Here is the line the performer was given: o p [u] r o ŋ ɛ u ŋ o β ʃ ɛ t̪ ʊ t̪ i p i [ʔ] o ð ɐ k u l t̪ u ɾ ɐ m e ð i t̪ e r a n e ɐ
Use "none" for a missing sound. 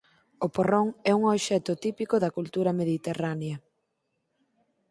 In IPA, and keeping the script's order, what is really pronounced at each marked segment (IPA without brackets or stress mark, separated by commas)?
o, k